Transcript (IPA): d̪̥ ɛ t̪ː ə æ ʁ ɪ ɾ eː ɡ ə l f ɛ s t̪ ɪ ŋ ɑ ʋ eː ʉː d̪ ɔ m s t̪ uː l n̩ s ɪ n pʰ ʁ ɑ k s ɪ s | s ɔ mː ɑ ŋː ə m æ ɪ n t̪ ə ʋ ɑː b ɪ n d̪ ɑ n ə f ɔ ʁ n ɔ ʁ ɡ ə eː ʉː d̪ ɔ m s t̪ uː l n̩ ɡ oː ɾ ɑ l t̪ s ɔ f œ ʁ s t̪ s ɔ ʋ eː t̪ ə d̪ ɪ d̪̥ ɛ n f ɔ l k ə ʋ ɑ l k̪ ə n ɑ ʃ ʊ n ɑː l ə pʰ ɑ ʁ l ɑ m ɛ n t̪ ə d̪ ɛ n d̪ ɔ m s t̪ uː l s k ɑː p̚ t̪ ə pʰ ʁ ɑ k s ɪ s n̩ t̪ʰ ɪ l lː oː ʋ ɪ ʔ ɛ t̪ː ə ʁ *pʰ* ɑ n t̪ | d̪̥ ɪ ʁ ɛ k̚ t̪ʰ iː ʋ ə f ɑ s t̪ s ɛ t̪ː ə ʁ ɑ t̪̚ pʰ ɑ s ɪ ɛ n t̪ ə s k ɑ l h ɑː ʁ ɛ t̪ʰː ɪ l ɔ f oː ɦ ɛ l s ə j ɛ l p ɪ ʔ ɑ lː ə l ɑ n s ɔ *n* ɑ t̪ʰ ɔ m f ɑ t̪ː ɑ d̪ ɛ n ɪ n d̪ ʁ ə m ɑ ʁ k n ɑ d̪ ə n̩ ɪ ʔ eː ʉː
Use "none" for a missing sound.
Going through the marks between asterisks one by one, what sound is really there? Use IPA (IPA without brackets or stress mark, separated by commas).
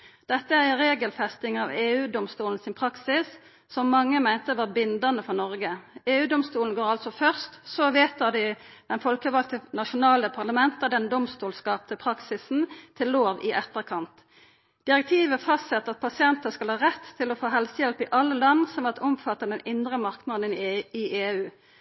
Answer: kʰ, m